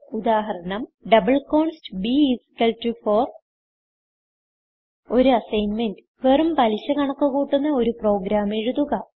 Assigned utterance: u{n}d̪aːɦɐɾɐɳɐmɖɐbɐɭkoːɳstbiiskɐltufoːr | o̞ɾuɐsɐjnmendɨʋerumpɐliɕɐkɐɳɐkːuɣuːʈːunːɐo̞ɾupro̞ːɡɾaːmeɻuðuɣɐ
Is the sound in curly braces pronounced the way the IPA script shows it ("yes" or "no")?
no